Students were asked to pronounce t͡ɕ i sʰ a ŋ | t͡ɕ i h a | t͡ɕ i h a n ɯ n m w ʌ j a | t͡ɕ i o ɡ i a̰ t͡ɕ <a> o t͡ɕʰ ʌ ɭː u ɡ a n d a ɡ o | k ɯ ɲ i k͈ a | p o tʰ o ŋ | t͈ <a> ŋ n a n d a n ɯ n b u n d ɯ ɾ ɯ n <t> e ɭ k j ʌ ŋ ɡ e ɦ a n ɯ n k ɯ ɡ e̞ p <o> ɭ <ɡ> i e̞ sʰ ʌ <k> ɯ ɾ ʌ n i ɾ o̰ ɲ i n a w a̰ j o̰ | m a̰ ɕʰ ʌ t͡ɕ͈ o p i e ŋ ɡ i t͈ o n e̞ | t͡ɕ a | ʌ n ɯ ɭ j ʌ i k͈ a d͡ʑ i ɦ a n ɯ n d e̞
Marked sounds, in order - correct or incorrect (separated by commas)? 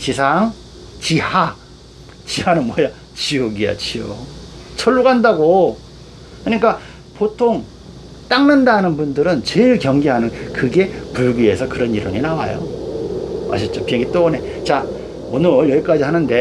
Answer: incorrect, correct, incorrect, incorrect, correct, correct